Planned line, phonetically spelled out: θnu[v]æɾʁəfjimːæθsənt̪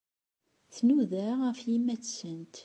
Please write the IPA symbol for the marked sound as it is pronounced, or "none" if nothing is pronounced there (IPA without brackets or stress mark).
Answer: ð